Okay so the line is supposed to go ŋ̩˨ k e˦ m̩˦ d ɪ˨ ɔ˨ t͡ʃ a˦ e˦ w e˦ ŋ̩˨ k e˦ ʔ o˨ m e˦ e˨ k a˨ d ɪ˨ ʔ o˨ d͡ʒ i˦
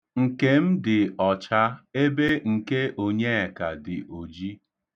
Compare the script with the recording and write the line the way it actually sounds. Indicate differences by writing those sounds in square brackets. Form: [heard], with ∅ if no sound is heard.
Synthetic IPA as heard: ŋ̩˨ k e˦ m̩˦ d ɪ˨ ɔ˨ t͡ʃ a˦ e˦ [b] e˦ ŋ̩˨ k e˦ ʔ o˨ [ɲ] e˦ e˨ k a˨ d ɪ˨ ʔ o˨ d͡ʒ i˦